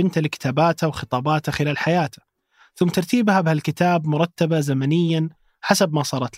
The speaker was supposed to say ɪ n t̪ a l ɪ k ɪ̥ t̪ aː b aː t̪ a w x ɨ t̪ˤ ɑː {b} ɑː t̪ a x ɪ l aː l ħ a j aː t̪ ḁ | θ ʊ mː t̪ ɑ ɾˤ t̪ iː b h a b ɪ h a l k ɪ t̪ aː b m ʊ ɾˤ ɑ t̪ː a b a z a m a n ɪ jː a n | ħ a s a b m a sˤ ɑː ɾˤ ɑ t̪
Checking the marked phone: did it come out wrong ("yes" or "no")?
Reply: no